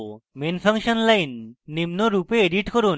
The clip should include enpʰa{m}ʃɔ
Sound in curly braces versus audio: incorrect: ŋ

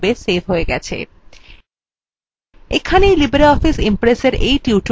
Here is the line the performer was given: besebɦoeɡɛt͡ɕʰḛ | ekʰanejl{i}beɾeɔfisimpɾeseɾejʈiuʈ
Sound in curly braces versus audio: correct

